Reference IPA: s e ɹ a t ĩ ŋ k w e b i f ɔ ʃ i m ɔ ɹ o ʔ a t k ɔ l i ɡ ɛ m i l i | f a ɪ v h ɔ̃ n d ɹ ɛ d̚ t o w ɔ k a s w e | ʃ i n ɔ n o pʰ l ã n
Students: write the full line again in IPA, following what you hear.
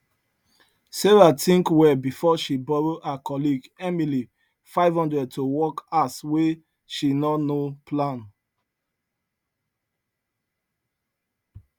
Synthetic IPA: s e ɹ a t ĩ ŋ k w ɛ b i f ɔ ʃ i b ɔ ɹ o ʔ a k ɔ l i ɡ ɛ m i l i | f a ɪ v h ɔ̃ n d ɹ ɛ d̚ t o w ɔ k a s w e | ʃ i n ɔ n o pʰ l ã n